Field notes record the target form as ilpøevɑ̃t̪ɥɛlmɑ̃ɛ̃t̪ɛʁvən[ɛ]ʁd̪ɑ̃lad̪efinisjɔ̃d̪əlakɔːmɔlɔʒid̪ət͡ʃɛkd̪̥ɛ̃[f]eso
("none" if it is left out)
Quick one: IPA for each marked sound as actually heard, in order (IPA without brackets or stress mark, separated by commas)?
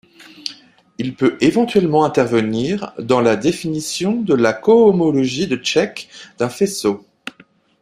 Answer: i, f